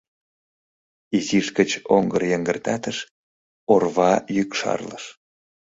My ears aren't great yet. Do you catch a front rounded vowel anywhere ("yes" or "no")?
yes